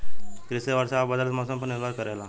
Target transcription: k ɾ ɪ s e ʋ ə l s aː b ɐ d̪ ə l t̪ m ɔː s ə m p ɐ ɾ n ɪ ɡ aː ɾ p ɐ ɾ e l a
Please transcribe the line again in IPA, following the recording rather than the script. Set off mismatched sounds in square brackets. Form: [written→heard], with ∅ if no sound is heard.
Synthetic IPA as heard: k ɾ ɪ s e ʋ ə [l→ɾ] s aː b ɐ d̪ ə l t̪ m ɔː s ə m p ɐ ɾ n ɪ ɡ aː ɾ [p→k] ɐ ɾ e l a